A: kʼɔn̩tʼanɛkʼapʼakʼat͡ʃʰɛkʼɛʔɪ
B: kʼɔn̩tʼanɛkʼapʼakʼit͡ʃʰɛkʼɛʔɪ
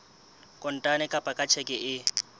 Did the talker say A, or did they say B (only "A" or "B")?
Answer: A